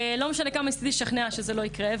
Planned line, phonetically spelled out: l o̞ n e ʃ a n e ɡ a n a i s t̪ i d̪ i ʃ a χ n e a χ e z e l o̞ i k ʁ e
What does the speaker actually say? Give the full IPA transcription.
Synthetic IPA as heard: l o̞ m e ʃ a n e k a m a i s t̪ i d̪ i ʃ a χ n e a ʃ e z e l o̞ i k ʁ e